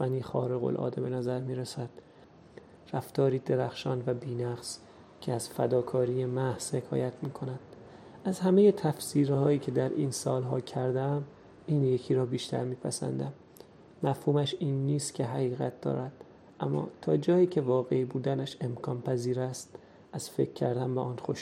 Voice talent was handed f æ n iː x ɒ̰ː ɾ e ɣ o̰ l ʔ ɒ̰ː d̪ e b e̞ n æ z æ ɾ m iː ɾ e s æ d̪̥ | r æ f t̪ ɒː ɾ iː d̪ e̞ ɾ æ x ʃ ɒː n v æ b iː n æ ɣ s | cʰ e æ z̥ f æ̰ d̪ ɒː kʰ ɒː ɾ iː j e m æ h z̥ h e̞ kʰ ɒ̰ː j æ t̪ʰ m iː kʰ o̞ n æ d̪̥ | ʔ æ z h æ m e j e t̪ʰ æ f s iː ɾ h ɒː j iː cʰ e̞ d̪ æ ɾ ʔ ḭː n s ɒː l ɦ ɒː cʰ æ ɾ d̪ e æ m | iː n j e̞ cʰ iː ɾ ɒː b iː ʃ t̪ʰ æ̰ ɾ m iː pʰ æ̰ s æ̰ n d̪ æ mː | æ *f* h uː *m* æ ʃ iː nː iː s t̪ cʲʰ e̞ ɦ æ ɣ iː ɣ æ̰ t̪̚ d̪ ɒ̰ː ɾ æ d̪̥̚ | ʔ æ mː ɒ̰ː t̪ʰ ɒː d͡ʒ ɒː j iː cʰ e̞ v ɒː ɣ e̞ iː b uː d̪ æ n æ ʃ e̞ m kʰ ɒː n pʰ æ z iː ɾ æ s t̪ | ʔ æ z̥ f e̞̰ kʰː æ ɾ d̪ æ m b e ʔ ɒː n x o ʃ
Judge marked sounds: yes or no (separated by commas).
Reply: yes, yes